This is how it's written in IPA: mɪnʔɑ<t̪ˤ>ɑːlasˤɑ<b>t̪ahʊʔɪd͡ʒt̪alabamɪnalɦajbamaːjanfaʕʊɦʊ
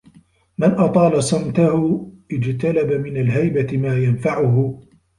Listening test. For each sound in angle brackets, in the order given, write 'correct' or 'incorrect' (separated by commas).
correct, incorrect